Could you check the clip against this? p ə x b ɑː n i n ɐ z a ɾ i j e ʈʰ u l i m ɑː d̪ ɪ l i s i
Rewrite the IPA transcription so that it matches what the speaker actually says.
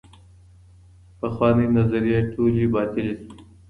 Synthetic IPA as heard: p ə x w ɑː n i n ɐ z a ɾ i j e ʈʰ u l i b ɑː t̪ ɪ l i s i